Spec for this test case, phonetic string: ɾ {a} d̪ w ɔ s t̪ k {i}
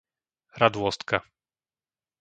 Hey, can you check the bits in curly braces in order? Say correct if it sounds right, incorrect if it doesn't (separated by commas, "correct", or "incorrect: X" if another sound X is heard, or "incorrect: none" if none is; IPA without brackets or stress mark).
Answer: correct, incorrect: a